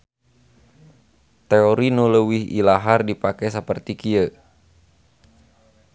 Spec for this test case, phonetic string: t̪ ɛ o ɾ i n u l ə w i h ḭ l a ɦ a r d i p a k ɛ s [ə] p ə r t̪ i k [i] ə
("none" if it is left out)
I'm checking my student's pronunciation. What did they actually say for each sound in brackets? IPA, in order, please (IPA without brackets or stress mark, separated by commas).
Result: ə, i